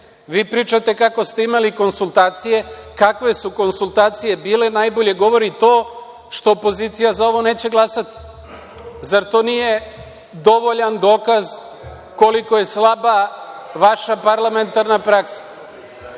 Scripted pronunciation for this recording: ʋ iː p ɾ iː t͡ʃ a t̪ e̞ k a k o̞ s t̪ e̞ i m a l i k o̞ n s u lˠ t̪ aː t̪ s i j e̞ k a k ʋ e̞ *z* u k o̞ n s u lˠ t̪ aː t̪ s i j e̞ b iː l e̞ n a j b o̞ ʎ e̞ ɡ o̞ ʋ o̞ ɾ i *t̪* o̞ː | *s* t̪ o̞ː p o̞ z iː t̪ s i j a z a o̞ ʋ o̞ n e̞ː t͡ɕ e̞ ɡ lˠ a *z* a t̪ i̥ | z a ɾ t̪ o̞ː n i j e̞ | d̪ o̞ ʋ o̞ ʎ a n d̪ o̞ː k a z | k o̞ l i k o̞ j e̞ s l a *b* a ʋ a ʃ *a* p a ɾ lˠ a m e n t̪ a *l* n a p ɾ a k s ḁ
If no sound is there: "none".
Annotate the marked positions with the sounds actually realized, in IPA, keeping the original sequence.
s, t̪, ʃ, s, b, a, ɾ

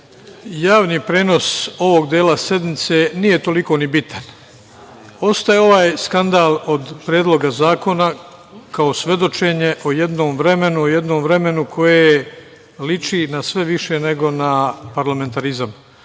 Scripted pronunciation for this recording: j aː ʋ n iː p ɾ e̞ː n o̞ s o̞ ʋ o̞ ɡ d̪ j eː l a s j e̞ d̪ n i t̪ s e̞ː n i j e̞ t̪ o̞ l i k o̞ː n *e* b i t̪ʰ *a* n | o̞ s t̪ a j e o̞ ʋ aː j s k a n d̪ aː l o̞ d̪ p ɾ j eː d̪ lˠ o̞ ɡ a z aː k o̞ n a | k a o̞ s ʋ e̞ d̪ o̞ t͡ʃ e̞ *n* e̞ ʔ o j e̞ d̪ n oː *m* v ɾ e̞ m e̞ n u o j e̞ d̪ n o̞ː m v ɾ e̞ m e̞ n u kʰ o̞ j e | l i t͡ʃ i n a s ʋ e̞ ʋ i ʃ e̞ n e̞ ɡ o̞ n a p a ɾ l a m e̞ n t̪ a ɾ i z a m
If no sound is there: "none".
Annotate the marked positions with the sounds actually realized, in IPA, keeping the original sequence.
i, a, ɲ, m

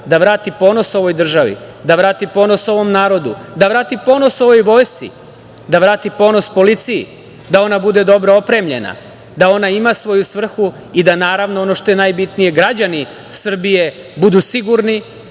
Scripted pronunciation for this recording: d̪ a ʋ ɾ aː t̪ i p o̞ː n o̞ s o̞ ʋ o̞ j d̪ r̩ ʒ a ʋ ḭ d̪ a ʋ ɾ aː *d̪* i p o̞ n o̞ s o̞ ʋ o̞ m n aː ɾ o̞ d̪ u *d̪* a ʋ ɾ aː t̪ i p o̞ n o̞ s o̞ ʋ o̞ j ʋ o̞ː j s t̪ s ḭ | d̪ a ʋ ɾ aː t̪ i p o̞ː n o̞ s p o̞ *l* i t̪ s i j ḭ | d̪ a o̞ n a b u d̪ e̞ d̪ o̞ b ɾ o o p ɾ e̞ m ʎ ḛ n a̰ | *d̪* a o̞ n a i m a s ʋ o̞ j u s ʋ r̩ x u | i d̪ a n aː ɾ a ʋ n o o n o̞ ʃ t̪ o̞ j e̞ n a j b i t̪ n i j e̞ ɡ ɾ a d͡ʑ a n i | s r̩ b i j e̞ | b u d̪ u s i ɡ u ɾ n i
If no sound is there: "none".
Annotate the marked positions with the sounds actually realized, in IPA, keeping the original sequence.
t̪, d̪, l, d̪

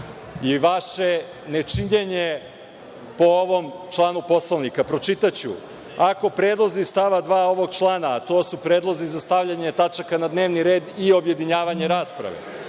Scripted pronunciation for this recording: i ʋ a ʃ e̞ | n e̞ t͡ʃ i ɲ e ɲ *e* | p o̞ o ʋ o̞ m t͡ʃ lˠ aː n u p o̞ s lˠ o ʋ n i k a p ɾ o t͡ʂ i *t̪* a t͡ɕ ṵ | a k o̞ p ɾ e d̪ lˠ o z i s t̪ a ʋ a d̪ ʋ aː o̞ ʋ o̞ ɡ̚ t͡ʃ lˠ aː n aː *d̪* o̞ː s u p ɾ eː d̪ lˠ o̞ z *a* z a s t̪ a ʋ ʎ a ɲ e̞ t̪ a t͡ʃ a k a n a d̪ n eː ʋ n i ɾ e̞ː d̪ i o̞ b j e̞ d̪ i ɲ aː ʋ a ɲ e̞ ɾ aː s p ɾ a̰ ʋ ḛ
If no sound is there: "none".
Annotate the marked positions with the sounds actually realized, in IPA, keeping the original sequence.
e, t̪, t̪, i

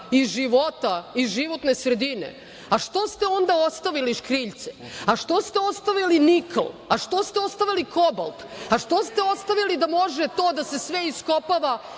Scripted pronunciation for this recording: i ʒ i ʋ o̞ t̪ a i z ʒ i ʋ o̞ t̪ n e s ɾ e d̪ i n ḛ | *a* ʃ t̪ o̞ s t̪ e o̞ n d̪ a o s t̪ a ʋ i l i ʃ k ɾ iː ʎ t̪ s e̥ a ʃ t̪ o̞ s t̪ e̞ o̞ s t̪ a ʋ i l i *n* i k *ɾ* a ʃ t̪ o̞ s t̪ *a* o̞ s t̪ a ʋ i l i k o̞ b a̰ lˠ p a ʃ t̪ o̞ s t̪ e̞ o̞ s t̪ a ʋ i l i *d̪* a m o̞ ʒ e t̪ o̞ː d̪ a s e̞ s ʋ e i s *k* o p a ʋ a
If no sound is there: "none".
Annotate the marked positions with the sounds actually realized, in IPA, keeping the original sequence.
a, n, l, e, d̪, k

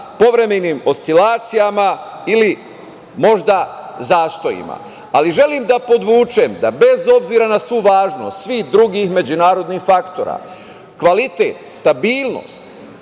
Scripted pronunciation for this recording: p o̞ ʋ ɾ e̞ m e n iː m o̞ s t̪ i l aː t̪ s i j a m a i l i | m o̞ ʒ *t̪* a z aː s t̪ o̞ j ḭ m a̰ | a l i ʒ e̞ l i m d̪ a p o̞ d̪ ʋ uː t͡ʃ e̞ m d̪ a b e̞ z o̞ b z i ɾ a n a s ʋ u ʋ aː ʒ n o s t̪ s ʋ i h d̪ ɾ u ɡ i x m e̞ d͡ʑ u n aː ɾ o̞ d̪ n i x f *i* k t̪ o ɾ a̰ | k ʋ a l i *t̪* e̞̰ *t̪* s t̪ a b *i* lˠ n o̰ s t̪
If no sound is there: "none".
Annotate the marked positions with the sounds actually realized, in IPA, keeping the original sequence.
d̪, a, t̪, t̪, iː

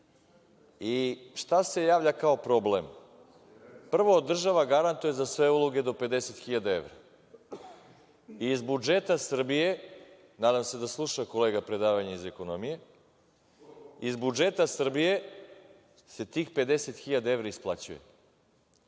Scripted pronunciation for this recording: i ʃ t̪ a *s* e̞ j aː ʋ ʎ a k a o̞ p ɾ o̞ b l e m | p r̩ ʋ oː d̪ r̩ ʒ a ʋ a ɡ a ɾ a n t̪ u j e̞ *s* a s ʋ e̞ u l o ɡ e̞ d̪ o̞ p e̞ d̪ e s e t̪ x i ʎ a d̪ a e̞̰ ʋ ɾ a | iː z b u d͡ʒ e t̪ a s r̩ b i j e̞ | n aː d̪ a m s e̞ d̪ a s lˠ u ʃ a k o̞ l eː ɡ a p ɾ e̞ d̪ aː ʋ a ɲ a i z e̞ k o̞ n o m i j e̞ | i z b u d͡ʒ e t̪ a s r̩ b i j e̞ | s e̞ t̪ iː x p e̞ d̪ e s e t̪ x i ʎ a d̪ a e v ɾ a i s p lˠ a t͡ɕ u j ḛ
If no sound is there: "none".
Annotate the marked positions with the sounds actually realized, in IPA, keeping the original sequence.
s, z

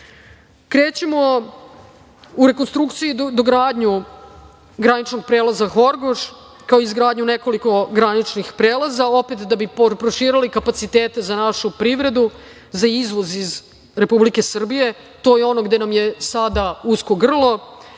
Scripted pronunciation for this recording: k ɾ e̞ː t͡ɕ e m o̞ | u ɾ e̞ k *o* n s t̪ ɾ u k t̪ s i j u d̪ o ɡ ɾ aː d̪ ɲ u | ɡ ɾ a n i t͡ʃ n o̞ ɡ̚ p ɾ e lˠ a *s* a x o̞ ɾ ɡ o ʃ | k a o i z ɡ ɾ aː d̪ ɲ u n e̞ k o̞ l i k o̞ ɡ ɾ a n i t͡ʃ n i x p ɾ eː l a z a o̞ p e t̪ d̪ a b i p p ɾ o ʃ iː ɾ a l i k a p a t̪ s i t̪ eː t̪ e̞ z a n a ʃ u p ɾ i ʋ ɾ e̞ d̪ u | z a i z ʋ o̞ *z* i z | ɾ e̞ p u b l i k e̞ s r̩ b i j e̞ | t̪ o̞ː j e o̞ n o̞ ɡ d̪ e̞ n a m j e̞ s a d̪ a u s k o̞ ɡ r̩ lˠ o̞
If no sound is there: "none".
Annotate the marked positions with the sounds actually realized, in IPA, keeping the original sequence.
o, z, z

